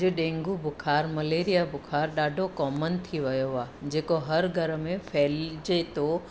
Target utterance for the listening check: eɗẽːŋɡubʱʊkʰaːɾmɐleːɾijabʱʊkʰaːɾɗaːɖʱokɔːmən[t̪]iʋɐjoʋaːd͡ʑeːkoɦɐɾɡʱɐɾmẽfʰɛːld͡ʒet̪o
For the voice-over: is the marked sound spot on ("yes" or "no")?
no